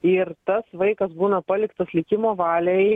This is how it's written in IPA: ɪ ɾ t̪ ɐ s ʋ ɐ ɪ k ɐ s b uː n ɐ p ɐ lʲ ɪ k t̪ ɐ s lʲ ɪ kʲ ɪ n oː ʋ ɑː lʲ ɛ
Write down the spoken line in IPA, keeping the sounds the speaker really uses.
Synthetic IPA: ɪ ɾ t̪ ɐ s ʋ ɐ ɪ k ɐ s b uː n ɐ p ɐ lʲ ɪ k t̪ ɐ s lʲ ɪ kʲ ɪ m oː ʋ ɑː lʲ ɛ

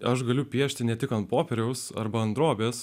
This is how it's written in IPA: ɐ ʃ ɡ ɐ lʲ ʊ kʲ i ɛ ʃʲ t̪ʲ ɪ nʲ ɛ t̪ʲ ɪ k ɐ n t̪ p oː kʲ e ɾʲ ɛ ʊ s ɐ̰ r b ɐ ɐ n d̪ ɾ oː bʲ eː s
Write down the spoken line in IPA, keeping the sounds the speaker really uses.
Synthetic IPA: ɐ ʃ ɡ ɐ lʲ ʊ pʲ i ɛ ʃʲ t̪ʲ ɪ nʲ ɛ t̪ʲ ɪ k ɐ n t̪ p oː pʲ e ɾʲ ɛ ʊ s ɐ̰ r b ɐ ɐ n d̪ ɾ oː bʲ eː s

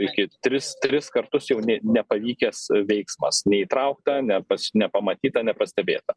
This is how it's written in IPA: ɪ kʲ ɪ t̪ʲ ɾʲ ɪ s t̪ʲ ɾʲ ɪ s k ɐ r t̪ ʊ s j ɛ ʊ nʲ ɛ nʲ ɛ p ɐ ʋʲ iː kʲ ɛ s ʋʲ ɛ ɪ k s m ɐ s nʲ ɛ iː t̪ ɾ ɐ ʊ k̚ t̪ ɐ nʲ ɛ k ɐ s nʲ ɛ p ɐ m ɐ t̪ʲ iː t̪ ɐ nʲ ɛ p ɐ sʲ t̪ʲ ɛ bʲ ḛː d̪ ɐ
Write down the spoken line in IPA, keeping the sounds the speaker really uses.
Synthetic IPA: ɪ kʲ ɪ t̪ʲ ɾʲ ɪ s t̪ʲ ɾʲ ɪ s k ɐ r t̪ ʊ s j ɛ ʊ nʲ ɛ nʲ ɛ p ɐ ʋʲ iː kʲ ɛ s ʋʲ ɛ ɪ k s m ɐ s nʲ ɛ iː t̪ ɾ ɐ ʊ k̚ t̪ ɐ nʲ ɛ p ɐ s nʲ ɛ p ɐ m ɐ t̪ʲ iː t̪ ɐ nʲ ɛ p ɐ sʲ t̪ʲ ɛ bʲ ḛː t̪ ɐ

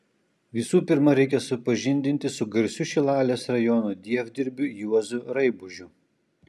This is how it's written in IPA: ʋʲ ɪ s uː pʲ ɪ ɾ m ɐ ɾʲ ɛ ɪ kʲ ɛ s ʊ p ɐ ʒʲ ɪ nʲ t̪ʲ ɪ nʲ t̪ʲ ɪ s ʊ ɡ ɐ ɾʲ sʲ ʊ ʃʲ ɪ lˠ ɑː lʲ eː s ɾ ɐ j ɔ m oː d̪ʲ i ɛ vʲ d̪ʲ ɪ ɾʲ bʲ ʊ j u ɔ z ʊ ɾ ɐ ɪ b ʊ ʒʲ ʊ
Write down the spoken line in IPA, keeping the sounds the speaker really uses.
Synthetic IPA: ʋʲ ɪ s uː pʲ ɪ ɾ m ɐ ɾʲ ɛ ɪ kʲ ɛ s ʊ p ɐ ʒʲ ɪ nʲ d̪ʲ ɪ nʲ t̪ʲ ɪ s ʊ ɡ ɐ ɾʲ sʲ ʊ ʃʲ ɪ lˠ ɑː lʲ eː s ɾ ɐ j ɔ n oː d̪ʲ i ɛ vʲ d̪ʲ ɪ ɾʲ bʲ ʊ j u ɔ z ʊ ɾ ɐ ɪ b ʊ ʒʲ ʊ

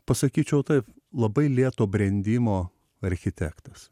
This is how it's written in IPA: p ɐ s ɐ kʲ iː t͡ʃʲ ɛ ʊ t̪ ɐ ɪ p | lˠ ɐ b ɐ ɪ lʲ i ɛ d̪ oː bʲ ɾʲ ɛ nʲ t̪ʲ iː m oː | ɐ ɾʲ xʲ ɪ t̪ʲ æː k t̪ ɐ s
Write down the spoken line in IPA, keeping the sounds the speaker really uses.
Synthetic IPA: p ɐ s ɐ kʲ iː t͡ʃʲ ɛ ʊ t̪ ɐ ɪ p | lˠ ɐ b ɐ ɪ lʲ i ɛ t̪ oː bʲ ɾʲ ɛ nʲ d̪ʲ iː m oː | ɐ ɾʲ xʲ ɪ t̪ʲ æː k t̪ ɐ s

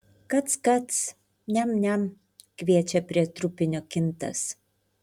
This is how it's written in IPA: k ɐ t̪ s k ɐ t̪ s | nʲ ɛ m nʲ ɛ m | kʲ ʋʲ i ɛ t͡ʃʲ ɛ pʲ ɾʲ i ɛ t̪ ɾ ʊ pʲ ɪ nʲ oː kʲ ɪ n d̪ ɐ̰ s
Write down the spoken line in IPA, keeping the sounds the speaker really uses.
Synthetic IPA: k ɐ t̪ s k ɐ t̪ s | nʲ ɛ m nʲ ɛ m | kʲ ʋʲ i ɛ t͡ʃʲ ɛ pʲ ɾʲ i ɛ t̪ ɾ ʊ pʲ ɪ nʲ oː kʲ ɪ n t̪ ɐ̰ s

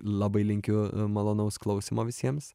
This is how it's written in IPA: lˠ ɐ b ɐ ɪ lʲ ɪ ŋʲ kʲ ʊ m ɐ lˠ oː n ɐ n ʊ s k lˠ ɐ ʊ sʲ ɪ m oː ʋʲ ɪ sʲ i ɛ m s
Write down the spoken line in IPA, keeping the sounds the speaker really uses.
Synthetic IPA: lˠ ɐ b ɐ ɪ lʲ ɪ ŋʲ kʲ ʊ m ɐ lˠ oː n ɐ ʊ s k lˠ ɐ ʊ sʲ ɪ m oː ʋʲ ɪ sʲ i ɛ m s

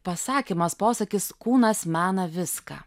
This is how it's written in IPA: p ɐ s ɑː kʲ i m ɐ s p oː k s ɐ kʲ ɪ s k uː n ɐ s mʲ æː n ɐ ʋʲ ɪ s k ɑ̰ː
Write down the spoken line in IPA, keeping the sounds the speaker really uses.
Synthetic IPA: p ɐ s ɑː kʲ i m ɐ s p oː s ɐ kʲ ɪ s k uː n ɐ s mʲ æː n ɐ ʋʲ ɪ s k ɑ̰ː

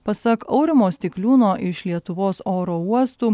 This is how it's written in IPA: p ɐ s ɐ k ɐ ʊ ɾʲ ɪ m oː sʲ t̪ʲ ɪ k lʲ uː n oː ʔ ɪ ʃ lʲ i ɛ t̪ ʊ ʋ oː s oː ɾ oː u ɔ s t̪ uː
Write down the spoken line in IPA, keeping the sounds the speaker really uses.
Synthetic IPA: p ɐ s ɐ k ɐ ʊ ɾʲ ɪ m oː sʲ t̪ʲ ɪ k lʲ uː n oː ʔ ɪ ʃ lʲ i ɛ t̪ ʊ ʋ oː s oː ɾ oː u ɔ s t̪ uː

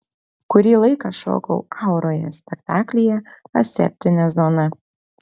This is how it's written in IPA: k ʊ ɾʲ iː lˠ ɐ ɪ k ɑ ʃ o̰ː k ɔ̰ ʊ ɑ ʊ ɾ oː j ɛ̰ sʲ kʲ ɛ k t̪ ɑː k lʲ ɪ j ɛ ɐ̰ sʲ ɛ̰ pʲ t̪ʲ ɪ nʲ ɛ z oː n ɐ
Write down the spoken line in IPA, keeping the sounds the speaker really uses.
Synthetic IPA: k ʊ ɾʲ iː lˠ ɐ ɪ k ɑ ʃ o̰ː k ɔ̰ ʊ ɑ ʊ ɾ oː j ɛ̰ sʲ pʲ ɛ k t̪ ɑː k lʲ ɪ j ɛ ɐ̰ sʲ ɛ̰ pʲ t̪ʲ ɪ nʲ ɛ z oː n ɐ

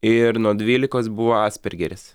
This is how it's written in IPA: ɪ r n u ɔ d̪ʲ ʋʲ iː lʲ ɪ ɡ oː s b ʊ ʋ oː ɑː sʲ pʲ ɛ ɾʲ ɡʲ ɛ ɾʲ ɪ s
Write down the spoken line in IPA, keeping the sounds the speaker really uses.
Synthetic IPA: ɪ ɾ n u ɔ d̪ʲ ʋʲ iː lʲ ɪ k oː s b ʊ ʋ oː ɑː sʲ pʲ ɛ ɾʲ ɡʲ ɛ ɾʲ ɪ s

